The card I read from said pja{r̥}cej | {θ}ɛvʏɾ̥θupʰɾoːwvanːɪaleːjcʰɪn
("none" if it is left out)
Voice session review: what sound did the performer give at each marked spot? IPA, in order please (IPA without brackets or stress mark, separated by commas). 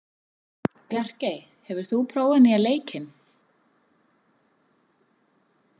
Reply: r̥, h